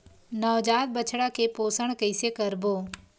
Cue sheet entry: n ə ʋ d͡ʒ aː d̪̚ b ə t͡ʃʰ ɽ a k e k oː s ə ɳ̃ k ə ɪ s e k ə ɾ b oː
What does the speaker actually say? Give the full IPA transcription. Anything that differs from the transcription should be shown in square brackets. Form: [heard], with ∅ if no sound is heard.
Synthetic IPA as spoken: n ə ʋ d͡ʒ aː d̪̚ b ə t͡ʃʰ ɽ a k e [p] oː s ə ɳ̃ k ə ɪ s e k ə ɾ b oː